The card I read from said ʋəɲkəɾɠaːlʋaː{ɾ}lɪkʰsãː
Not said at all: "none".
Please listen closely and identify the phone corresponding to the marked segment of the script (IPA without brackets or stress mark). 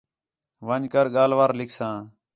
ɾ